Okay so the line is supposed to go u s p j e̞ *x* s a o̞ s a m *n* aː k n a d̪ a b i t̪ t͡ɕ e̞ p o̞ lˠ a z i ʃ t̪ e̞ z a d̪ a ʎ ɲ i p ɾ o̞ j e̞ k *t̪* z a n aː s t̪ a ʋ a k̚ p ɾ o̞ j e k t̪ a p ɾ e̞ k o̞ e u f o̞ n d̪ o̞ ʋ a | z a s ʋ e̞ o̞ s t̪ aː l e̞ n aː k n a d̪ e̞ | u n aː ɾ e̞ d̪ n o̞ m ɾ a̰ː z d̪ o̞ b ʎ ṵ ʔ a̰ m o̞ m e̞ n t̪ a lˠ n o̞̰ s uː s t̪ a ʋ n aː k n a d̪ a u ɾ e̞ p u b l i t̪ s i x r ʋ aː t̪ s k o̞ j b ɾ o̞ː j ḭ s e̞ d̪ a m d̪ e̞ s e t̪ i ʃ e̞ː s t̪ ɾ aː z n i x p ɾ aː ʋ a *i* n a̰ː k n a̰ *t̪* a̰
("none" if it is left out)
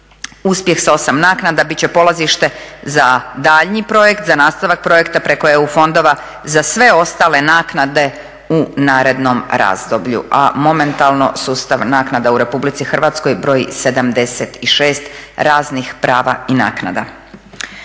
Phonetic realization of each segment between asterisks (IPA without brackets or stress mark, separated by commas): x, n, t̪, i, d̪